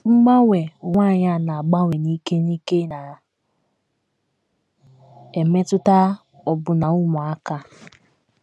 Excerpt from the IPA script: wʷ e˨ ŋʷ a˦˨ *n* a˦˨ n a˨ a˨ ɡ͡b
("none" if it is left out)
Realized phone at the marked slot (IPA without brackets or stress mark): ɲ